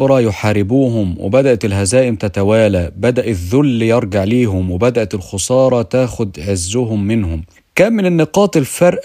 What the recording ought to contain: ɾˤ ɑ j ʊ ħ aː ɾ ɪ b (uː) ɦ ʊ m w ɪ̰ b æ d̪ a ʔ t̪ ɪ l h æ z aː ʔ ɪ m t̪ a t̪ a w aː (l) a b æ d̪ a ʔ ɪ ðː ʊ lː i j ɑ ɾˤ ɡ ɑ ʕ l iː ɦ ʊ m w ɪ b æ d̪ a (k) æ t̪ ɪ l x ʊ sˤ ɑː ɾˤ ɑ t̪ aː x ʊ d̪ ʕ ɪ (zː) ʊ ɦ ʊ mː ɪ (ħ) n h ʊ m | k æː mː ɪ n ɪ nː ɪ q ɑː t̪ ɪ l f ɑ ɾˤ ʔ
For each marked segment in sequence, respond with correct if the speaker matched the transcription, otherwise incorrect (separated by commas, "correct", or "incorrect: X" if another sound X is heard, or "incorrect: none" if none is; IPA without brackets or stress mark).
correct, correct, incorrect: ʔ, correct, incorrect: none